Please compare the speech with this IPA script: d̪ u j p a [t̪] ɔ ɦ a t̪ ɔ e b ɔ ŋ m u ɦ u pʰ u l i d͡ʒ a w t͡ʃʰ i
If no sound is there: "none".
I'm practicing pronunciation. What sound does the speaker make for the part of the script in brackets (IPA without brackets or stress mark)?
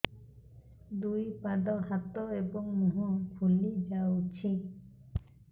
d̪